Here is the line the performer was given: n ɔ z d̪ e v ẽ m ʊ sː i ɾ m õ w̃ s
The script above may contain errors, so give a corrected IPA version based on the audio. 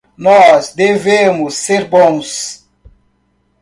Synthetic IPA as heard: n ɔ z d̪ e v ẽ m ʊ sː e ɾ b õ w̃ s